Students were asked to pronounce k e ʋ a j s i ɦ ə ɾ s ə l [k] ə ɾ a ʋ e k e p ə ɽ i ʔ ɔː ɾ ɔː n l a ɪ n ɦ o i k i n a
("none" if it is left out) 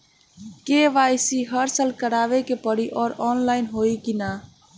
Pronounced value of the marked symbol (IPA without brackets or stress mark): k